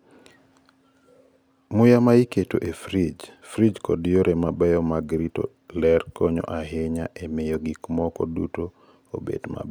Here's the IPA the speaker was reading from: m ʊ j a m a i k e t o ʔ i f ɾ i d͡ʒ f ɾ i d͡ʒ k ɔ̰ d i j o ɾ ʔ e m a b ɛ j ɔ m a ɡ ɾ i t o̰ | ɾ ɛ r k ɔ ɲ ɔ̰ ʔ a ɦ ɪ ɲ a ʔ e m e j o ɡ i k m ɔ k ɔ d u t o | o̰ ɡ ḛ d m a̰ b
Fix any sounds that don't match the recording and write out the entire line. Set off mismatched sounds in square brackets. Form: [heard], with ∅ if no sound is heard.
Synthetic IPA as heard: m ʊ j a m a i k e t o ʔ [e] f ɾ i d͡ʒ f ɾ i d͡ʒ k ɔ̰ d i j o ɾ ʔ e m a b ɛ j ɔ m a ɡ ɾ i t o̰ | [l] ɛ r k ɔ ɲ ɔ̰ ʔ a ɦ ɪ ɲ a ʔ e m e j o ɡ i k m ɔ k ɔ d u t o | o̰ [b] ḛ d m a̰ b